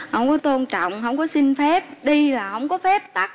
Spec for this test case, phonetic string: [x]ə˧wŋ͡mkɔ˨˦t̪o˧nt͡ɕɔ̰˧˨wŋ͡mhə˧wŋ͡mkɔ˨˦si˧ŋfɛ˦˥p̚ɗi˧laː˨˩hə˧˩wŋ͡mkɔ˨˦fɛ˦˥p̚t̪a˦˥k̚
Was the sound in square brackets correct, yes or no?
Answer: no